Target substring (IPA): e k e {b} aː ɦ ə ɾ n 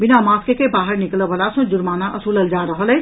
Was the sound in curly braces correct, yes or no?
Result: yes